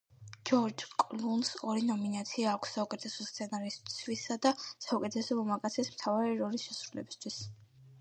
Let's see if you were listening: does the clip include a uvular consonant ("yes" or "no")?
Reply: no